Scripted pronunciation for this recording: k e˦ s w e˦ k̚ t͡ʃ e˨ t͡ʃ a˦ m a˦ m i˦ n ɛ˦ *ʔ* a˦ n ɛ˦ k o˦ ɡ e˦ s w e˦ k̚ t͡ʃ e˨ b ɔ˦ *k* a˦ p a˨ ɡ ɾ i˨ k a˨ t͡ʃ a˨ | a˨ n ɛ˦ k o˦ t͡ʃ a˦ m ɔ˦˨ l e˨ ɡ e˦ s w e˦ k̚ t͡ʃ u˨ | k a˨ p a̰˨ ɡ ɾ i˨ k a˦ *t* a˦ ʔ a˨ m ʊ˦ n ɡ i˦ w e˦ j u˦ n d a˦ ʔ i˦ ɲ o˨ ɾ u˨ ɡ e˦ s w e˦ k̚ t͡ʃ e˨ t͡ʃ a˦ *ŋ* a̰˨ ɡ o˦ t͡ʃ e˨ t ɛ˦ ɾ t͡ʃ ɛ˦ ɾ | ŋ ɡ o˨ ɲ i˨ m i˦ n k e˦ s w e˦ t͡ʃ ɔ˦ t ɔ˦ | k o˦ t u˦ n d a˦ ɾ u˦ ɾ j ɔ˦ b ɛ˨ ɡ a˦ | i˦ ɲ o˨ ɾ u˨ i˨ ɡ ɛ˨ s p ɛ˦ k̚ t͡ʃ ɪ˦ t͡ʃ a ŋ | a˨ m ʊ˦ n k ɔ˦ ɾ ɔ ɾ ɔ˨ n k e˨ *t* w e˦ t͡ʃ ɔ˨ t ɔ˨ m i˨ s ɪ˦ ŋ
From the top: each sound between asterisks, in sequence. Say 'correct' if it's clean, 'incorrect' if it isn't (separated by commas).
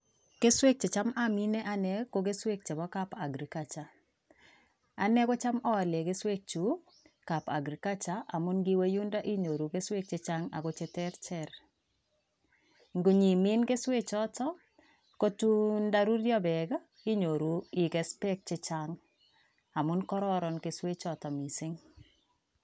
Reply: correct, correct, incorrect, correct, incorrect